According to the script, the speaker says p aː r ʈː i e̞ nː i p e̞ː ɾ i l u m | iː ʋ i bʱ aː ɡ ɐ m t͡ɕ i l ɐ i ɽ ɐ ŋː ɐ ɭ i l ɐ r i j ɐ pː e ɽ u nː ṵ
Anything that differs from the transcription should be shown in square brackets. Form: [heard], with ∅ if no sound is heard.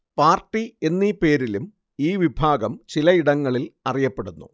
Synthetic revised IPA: p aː r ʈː i e̞ nː i p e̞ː ɾ i l u m | iː ʋ i bʱ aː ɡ ɐ m t͡ɕ i l ɐ i ɽ ɐ ŋː ɐ ɭ i l ɐ r i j ɐ pː e ɽ u nː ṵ